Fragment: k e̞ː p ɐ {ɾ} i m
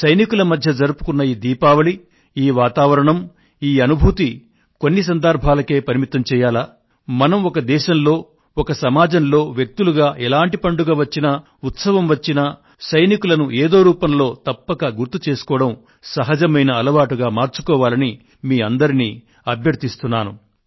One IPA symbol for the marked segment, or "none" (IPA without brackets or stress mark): ɾ